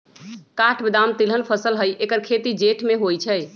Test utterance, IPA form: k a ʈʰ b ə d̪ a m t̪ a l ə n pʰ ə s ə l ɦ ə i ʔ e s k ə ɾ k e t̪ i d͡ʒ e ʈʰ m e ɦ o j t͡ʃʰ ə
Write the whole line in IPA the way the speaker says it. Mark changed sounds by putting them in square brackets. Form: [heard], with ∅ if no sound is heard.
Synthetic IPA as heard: k a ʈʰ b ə d̪ a m t̪ [i] l ə n pʰ ə s ə l ɦ ə [j] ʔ e [∅] k ə ɾ [kʰ] e t̪ i d͡ʒ e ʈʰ m e ɦ o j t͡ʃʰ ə